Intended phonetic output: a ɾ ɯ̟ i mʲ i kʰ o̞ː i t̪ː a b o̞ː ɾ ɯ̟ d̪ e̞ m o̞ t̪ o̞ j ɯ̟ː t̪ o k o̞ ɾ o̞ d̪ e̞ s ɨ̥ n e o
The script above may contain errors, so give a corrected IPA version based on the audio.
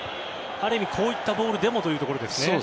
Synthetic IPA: a ɾ ɯ̟ i mʲ i kʰ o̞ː i t̪ː a b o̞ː ɾ ɯ̟ d̪ e̞ m o̞ t̪ o̞ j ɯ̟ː t̪ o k o̞ ɾ o̞ d̪ e̞ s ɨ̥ n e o